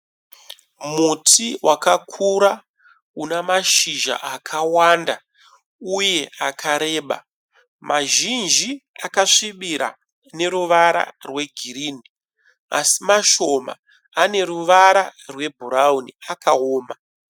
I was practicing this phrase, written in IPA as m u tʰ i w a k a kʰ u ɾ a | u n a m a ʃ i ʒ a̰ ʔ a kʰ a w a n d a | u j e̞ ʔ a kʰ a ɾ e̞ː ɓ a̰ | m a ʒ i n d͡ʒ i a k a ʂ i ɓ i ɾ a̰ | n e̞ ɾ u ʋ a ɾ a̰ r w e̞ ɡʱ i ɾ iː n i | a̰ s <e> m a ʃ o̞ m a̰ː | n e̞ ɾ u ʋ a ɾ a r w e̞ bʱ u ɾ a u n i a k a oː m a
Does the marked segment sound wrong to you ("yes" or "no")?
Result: yes